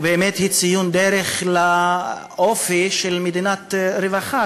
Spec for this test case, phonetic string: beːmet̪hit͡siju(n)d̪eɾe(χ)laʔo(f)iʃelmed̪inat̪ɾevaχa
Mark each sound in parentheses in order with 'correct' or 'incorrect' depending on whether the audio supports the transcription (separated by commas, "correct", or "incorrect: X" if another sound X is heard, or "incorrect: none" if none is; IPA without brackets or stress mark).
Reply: correct, correct, correct